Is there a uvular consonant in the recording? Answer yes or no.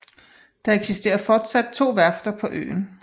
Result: no